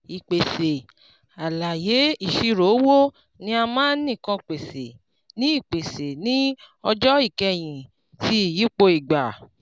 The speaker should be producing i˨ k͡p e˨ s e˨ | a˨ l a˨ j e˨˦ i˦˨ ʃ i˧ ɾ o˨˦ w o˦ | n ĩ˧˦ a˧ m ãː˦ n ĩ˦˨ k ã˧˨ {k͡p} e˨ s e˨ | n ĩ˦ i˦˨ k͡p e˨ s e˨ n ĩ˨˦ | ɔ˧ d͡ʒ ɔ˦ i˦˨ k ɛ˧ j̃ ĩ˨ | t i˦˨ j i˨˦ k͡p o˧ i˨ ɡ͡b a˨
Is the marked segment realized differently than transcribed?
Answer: no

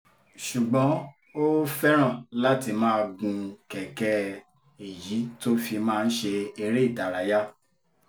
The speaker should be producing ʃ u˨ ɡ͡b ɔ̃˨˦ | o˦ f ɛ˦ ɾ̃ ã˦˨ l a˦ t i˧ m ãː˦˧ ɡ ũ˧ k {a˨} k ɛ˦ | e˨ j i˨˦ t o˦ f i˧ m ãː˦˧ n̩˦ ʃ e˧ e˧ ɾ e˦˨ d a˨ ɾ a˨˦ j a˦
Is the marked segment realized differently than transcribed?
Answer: yes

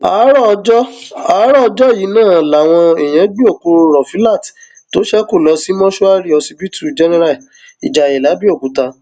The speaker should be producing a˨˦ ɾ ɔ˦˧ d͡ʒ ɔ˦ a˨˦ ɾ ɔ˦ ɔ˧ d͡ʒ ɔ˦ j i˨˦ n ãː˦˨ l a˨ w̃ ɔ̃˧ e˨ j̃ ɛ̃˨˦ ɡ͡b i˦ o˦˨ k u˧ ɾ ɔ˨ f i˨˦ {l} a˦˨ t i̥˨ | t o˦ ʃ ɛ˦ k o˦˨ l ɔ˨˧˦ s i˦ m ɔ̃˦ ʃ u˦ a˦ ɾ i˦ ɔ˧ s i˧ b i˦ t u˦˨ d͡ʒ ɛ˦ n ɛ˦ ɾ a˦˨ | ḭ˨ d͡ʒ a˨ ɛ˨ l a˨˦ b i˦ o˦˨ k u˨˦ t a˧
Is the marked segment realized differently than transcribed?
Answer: no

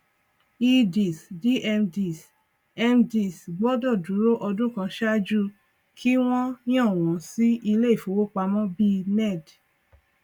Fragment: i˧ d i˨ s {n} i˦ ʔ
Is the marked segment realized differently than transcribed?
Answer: yes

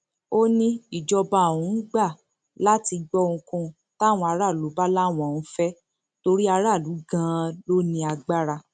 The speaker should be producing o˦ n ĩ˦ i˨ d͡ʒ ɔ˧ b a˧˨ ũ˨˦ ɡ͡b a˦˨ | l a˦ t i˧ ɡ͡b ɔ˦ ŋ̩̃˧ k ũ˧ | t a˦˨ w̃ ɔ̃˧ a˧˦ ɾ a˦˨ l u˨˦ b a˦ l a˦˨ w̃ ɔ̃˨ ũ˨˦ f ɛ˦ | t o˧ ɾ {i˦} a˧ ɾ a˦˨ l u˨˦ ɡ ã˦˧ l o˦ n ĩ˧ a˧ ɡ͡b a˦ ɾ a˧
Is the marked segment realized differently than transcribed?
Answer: no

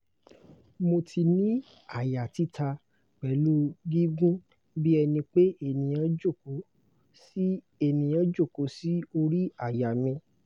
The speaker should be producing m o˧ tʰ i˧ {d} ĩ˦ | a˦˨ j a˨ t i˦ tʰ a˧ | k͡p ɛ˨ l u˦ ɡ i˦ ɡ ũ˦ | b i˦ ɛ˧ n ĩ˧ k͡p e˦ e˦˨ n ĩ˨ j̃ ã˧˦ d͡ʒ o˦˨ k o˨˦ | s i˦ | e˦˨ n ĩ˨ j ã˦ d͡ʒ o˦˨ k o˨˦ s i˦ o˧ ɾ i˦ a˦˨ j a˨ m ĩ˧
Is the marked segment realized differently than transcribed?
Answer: yes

